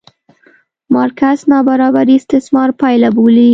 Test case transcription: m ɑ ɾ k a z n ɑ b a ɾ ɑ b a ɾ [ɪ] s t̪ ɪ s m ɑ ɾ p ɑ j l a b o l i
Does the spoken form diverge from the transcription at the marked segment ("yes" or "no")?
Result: yes